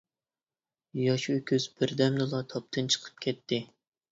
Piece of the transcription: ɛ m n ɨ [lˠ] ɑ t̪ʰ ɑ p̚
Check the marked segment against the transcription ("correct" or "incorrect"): correct